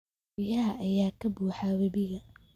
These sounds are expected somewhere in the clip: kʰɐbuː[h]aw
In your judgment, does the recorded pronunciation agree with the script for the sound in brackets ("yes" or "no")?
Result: no